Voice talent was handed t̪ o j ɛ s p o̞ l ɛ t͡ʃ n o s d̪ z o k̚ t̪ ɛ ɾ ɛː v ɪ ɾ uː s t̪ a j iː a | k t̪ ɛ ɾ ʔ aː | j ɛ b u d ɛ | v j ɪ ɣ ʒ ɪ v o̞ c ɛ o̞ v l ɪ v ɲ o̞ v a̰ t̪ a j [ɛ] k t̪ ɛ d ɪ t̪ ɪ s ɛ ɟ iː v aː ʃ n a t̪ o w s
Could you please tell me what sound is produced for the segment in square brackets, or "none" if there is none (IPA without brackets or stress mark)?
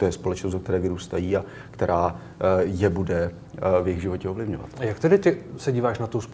a